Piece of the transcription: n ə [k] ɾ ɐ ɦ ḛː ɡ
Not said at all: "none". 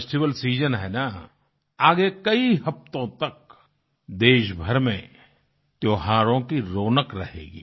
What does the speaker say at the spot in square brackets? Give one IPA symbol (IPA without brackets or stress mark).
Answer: k